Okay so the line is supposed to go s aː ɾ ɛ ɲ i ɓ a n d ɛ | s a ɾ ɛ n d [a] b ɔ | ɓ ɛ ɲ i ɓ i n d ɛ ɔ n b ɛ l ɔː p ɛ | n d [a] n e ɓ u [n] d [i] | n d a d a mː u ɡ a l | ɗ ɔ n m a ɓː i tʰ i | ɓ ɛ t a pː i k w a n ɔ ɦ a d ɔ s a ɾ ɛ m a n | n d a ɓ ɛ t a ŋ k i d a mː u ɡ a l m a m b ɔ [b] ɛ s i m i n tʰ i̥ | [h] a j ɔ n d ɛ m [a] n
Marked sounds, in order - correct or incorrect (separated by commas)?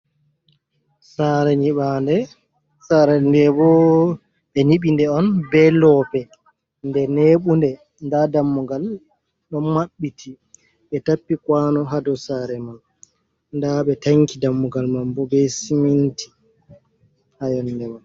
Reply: incorrect, incorrect, correct, incorrect, correct, correct, correct